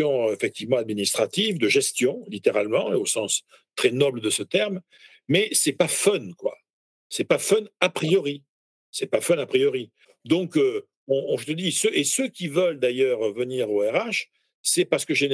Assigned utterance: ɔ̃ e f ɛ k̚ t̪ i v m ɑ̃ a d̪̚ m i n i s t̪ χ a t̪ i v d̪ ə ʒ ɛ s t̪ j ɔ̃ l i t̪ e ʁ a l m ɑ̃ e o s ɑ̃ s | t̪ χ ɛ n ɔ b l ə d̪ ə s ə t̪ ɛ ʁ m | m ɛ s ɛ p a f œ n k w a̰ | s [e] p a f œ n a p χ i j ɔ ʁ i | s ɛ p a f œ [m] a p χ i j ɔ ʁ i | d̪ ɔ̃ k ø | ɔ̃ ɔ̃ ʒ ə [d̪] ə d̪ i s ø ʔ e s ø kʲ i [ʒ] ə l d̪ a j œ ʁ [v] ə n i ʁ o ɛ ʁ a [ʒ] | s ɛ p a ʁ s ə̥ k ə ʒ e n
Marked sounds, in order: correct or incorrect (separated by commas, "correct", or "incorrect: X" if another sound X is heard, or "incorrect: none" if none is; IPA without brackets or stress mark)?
incorrect: ɛ, incorrect: n, incorrect: t̪, incorrect: v, correct, incorrect: ʃ